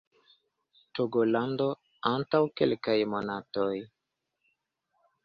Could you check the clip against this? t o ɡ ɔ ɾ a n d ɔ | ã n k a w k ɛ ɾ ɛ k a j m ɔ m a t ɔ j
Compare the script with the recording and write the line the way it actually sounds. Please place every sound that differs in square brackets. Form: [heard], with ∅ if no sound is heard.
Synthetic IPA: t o ɡ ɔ [l] a n d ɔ | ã n [t] a w k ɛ [l] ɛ k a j m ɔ [n] a t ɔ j